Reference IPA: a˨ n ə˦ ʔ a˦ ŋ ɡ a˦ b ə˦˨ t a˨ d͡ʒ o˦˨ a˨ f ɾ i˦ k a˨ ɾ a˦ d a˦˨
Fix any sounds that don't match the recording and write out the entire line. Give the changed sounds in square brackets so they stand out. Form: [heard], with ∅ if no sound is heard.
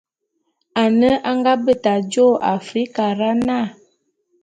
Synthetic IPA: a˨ n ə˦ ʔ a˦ ŋ ɡ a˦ b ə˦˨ t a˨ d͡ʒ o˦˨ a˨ f ɾ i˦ k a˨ ɾ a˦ [n] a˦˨